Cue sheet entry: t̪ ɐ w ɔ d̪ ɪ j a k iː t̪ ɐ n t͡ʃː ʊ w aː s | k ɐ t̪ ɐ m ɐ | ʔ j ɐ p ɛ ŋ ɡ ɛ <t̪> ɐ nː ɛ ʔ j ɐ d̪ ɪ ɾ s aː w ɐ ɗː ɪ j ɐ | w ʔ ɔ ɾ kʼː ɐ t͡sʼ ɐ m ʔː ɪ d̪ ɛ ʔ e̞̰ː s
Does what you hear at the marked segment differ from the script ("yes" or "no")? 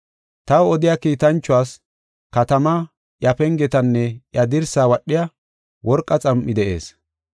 no